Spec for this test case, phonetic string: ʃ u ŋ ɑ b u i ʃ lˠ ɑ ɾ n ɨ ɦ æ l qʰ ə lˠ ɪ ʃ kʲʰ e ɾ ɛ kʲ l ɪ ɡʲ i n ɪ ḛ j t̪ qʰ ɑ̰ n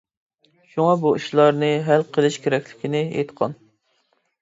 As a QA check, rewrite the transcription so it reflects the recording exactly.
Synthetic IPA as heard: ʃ u ŋ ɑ b u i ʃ lˠ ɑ ɾ n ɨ ɦ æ l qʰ ə lˠ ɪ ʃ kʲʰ e ɾ ɛ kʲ l ɪ kʲ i n ɪ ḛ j t̪ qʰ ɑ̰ n